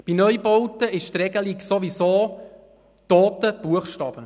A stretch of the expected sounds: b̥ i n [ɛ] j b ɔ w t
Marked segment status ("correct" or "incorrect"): incorrect